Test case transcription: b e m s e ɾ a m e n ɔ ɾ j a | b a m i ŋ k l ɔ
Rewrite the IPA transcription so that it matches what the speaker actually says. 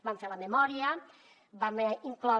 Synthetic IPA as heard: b a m f e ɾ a m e m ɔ ɾ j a | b a m i ŋ k l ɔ